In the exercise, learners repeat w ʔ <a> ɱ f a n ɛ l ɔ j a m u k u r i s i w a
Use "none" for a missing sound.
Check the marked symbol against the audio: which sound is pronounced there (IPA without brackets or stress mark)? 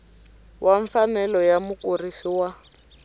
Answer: a